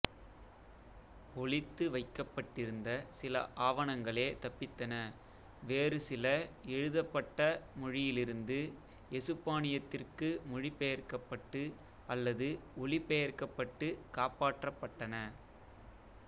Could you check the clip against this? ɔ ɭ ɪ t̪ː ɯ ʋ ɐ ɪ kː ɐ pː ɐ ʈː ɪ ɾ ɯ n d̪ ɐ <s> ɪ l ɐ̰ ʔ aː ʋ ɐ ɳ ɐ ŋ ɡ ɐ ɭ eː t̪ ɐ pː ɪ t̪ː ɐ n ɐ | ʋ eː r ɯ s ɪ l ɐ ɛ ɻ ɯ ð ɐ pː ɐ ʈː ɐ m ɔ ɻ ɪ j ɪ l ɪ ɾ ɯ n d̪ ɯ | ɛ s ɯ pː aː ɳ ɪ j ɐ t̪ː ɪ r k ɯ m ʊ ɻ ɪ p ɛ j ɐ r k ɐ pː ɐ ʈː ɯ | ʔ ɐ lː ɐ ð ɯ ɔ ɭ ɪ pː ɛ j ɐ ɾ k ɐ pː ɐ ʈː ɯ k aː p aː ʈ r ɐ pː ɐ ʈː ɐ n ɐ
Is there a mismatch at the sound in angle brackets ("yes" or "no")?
no